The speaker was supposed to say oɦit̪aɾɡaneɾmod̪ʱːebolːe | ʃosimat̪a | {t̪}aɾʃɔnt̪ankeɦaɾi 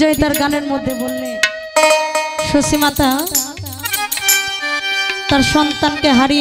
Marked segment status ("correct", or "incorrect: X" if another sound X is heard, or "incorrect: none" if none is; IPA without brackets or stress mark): correct